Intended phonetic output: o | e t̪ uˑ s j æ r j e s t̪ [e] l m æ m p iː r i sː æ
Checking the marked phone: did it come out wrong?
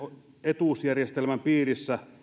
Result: no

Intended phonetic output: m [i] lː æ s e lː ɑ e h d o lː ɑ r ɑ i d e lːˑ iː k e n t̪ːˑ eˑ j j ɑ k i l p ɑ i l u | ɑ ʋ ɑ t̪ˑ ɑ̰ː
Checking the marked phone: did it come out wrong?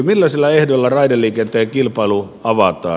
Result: no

